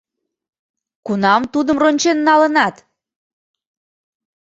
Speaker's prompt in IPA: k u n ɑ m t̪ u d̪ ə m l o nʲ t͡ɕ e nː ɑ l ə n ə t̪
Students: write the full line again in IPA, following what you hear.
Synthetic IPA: k u n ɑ m t̪ u d̪ ə m r o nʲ t͡ɕ e nː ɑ l ə n ɑ t̪